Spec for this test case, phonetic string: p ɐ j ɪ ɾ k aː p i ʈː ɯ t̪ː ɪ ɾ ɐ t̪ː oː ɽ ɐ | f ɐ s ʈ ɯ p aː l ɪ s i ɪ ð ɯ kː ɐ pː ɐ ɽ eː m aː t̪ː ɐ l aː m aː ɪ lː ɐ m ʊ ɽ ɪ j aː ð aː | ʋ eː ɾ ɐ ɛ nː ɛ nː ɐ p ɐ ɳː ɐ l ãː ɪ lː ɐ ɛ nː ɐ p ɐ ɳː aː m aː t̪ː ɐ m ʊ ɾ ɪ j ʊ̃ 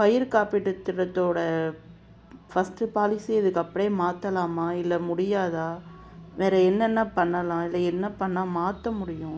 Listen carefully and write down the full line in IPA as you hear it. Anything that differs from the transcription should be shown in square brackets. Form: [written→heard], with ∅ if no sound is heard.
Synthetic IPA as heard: p ɐ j ɪ ɾ k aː p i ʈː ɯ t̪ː ɪ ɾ ɐ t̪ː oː ɽ ɐ | f ɐ s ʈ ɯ p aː l ɪ s i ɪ ð ɯ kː ɐ pː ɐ ɽ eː m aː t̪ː ɐ l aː m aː ɪ lː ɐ m ʊ ɽ ɪ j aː ð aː | ʋ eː ɾ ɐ ɛ nː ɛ nː ɐ p ɐ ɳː ɐ l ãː ɪ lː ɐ ɛ nː ɐ p ɐ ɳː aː m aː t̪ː ɐ m ʊ [ɾ→ɽ] ɪ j ʊ̃

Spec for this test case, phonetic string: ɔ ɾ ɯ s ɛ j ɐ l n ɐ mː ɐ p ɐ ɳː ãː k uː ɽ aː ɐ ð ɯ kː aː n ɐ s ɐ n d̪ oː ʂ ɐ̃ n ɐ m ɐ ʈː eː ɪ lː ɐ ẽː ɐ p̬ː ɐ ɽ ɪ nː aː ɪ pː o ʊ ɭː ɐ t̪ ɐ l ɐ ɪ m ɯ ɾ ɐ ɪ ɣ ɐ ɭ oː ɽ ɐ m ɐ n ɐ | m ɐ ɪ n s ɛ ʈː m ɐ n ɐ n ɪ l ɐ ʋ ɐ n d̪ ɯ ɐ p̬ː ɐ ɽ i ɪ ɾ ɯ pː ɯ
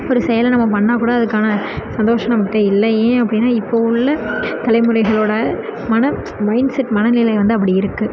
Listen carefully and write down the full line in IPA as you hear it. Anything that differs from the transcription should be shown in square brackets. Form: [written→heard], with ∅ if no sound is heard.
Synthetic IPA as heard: ɔ ɾ ɯ s ɛ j ɐ l n ɐ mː ɐ p ɐ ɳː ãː k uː ɽ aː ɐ ð ɯ kː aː n ɐ s ɐ n d̪ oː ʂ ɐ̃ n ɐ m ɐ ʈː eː ɪ lː ɐ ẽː ɐ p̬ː ɐ ɽ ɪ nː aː ɪ pː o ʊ ɭː ɐ t̪ ɐ l ɐ ɪ m ɯ ɾ ɐ ɪ ɣ ɐ ɭ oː ɽ ɐ m ɐ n ɐ | m ɐ ɪ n s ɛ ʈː m ɐ n ɐ n ɪ l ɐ ʋ ɐ n d̪ ɯ ɐ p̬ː ɐ ɽ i ɪ ɾ ɯ [pː→kː] ɯ

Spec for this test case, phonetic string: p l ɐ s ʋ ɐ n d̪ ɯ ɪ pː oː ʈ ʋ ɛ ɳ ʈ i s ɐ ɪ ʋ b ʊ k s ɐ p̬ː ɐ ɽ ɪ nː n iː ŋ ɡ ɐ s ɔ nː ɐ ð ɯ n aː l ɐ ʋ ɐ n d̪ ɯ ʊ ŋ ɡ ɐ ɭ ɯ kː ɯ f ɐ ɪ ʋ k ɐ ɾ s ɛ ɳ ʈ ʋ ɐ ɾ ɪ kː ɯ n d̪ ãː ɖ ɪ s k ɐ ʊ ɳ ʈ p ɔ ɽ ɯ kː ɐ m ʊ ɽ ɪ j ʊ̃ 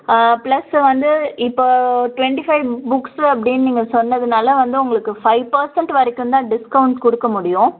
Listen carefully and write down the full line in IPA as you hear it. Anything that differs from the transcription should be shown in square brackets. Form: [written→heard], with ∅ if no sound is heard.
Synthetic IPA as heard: p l ɐ s ʋ ɐ n d̪ ɯ ɪ pː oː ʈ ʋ ɛ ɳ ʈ i [s→f] ɐ ɪ ʋ b ʊ k s ɐ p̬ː ɐ ɽ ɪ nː n iː ŋ ɡ ɐ s ɔ nː ɐ ð ɯ n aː l ɐ ʋ ɐ n d̪ ɯ ʊ ŋ ɡ ɐ ɭ ɯ kː ɯ f ɐ ɪ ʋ [k→p] ɐ ɾ s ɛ ɳ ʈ ʋ ɐ ɾ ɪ kː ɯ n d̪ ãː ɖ ɪ s k ɐ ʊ ɳ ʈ [p→k] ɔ ɽ ɯ kː ɐ m ʊ ɽ ɪ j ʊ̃

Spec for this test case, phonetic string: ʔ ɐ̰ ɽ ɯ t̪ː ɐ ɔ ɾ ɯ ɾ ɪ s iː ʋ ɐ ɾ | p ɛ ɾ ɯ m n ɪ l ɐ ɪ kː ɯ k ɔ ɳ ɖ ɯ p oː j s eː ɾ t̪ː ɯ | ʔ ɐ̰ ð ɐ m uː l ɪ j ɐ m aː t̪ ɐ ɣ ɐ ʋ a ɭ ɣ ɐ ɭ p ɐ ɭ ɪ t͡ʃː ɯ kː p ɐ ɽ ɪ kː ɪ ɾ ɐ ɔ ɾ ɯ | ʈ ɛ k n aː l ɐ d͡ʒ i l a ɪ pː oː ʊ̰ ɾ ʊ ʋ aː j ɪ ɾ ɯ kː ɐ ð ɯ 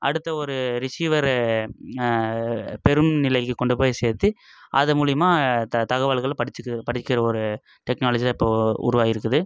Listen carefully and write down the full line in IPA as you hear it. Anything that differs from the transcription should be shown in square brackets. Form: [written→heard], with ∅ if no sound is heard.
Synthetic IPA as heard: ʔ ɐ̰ ɽ ɯ t̪ː ɐ ɔ ɾ ɯ ɾ ɪ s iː ʋ ɐ ɾ | p ɛ ɾ ɯ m n ɪ l ɐ ɪ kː ɯ k ɔ ɳ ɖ ɯ p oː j s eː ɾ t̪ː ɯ | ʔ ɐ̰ ð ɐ m uː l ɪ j ɐ m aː t̪ ɐ ɣ ɐ ʋ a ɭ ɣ ɐ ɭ p ɐ [ɭ→ɽ] ɪ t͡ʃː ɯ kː p ɐ ɽ ɪ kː ɪ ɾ ɐ ɔ ɾ ɯ | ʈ ɛ k n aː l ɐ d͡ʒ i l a ɪ pː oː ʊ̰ ɾ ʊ ʋ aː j ɪ ɾ ɯ kː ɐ ð ɯ

